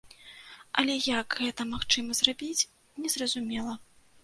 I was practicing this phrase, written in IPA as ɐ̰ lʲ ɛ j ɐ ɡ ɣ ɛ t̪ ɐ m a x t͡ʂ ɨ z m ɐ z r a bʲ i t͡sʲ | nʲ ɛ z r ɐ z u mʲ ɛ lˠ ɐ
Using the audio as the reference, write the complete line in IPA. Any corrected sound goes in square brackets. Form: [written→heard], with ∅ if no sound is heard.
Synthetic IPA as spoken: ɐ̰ lʲ ɛ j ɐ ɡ ɣ ɛ t̪ ɐ m a x t͡ʂ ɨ [z→∅] m ɐ z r a bʲ i t͡sʲ | nʲ ɛ z r ɐ z u mʲ ɛ lˠ ɐ